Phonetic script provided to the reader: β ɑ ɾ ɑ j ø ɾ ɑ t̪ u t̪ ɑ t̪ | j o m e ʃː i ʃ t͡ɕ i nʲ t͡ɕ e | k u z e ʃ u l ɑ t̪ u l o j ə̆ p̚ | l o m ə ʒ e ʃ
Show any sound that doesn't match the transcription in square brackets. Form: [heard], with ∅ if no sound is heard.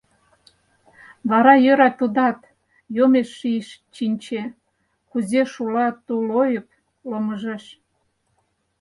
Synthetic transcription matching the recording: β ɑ ɾ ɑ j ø ɾ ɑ t̪ u [d̪] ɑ t̪ | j o m e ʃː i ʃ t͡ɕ i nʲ t͡ɕ e | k u z e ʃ u l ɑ t̪ u l o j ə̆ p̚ | l o m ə ʒ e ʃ